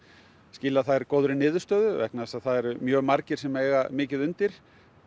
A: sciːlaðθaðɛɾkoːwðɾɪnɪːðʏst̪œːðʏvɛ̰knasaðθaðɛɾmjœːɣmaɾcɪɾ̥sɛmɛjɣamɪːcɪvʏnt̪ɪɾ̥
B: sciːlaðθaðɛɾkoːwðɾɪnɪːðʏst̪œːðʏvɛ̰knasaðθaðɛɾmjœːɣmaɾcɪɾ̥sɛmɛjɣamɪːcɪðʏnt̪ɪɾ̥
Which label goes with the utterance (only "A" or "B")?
B